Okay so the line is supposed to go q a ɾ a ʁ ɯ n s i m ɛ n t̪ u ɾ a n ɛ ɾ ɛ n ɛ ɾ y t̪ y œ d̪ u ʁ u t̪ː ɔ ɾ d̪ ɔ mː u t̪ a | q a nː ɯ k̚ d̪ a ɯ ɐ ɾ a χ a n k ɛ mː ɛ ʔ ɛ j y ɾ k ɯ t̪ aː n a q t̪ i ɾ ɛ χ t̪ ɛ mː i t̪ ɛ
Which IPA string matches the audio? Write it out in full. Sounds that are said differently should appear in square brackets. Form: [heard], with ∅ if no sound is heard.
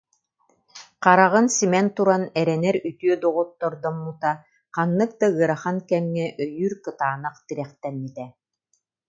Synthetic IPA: q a ɾ a ʁ ɯ n s i m ɛ n t̪ u ɾ a n ɛ ɾ ɛ n ɛ ɾ y t̪ y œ d̪ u ʁ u t̪ː ɔ ɾ d̪ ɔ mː u t̪ a | q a nː ɯ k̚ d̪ a ɯ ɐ ɾ a χ a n k ɛ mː ɛ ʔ [œ] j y ɾ k ɯ t̪ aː n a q t̪ i ɾ ɛ χ t̪ ɛ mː i t̪ ɛ